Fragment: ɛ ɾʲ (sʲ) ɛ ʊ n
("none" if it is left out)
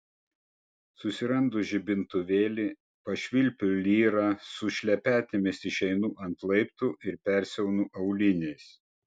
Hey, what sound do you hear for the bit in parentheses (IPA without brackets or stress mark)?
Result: sʲ